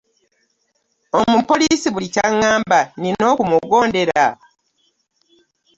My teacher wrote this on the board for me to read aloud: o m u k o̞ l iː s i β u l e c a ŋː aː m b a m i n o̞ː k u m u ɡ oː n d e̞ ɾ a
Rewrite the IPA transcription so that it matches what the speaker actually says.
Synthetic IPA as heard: o m u p o̞ l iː s i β u l i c a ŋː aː m b a n i n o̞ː k u m u ɡ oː n d e̞ ɾ a